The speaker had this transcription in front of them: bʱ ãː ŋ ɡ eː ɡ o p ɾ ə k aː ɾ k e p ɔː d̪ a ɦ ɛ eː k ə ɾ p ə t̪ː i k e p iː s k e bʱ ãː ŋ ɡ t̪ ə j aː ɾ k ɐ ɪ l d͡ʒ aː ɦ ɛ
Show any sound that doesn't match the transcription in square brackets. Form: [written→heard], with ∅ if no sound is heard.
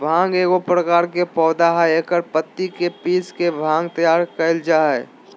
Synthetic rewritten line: bʱ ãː ŋ ɡ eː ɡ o p ɾ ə k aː ɾ k e p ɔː d̪ a ɦ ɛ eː k ə ɾ p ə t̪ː i k e p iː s k e bʱ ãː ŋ ɡ t̪ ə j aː ɾ k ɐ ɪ l d͡ʒ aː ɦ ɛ